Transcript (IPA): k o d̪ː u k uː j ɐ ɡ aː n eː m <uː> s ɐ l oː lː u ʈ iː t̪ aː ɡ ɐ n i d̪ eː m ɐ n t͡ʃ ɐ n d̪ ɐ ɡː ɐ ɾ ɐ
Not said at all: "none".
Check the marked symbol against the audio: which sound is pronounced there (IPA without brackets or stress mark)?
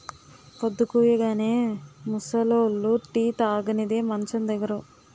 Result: u